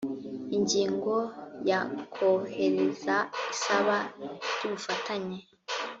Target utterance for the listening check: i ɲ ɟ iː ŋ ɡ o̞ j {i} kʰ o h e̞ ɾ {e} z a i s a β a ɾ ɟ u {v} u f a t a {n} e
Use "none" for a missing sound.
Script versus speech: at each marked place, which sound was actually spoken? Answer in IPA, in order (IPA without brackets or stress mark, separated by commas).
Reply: a, e, β, ɲ